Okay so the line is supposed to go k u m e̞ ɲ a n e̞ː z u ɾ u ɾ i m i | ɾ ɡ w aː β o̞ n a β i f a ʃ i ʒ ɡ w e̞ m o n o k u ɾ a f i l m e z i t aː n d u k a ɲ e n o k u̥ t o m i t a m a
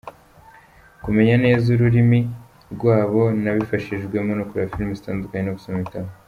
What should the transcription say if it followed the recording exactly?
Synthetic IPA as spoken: k u m e̞ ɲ a n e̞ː z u ɾ u ɾ i m i | ɾ ɡ w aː β o̞ n a β i f a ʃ i ʒ ɡ w e̞ m o n o k u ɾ a f i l m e z i t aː n d u k a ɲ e n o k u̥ s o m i t a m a